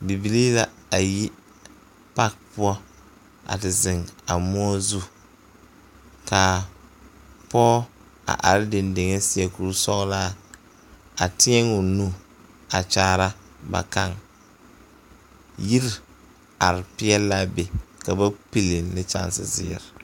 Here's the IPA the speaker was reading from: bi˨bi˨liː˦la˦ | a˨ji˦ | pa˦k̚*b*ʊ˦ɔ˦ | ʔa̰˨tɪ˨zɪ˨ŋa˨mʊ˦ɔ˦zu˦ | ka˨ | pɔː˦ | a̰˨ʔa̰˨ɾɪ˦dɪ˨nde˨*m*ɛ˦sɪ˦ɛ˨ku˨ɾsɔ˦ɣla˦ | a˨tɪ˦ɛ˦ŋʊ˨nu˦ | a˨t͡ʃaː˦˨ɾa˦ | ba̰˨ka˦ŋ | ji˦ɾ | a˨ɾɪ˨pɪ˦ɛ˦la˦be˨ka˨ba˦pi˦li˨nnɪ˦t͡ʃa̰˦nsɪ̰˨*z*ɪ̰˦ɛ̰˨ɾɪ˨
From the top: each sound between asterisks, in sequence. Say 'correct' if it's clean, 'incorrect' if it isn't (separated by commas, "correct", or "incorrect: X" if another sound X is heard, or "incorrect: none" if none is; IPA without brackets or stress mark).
incorrect: p, incorrect: ŋ, correct